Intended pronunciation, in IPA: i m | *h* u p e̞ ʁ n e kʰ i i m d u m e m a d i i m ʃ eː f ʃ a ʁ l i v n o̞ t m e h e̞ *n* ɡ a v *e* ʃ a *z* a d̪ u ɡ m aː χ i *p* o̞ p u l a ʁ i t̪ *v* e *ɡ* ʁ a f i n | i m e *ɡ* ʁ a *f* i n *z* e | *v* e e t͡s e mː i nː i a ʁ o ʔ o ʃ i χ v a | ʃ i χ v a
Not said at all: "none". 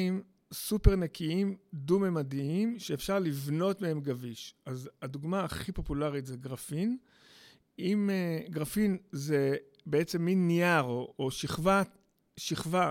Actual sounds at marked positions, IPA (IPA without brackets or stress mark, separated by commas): s, m, i, z, p, z, ɡ, ɡ, f, z, b